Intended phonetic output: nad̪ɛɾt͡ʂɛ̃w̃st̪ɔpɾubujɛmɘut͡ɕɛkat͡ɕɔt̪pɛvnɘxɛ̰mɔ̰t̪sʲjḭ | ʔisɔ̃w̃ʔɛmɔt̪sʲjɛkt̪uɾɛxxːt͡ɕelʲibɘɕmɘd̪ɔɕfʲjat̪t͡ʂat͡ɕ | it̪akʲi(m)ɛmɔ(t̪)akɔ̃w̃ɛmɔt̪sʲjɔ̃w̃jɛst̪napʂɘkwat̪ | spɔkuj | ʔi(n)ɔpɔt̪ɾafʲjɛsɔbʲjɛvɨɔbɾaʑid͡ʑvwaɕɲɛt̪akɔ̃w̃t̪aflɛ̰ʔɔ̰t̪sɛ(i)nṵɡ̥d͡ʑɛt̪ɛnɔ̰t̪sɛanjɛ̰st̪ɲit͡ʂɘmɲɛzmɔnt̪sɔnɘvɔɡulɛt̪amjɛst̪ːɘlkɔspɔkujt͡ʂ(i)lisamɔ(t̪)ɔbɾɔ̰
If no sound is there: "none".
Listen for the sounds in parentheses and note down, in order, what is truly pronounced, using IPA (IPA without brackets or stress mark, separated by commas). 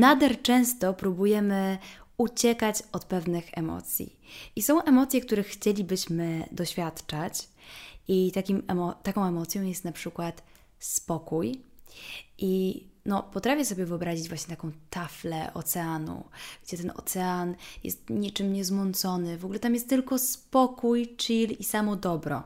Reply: m, t̪, n, a, i, d̪